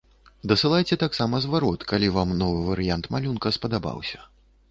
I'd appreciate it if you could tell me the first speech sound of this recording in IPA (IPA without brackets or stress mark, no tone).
d̪